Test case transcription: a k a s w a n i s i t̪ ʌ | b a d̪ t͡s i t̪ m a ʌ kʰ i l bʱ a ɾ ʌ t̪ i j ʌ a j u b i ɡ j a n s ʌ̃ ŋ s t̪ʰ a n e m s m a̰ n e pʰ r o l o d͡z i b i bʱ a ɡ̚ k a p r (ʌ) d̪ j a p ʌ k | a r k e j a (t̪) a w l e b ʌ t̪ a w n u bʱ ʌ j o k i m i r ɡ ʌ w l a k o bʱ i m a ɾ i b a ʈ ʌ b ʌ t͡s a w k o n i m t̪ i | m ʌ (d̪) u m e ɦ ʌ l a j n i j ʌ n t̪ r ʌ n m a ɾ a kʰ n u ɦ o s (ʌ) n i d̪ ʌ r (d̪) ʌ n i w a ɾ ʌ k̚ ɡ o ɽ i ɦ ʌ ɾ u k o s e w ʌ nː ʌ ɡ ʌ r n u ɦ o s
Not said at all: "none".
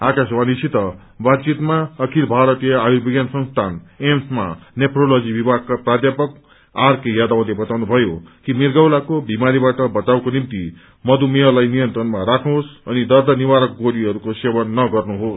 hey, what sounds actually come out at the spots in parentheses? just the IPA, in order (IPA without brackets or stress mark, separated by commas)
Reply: a, d̪, d̪, ʌ, d̪